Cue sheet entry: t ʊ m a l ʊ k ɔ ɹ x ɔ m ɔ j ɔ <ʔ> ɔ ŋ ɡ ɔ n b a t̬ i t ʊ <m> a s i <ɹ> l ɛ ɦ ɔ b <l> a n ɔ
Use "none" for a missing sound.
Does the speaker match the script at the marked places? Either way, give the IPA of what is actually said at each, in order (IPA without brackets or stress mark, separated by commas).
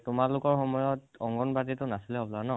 t, n, none, l